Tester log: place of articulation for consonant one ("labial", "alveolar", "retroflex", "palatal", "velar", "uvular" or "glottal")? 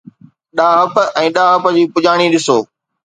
alveolar